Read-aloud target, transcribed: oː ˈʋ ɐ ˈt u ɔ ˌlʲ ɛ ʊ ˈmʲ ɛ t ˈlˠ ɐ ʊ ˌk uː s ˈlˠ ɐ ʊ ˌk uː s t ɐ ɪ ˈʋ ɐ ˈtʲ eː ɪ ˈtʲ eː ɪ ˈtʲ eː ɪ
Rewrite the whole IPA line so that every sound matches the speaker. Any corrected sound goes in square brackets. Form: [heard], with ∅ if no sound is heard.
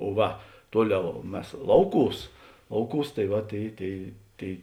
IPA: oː ˈʋ ɐ ˈt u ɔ ˌlʲ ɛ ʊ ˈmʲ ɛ [s] ˈlˠ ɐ ʊ ˌk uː s ˈlˠ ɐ ʊ ˌk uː s t ɐ ɪ ˈʋ ɐ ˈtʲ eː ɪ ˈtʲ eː ɪ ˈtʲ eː ɪ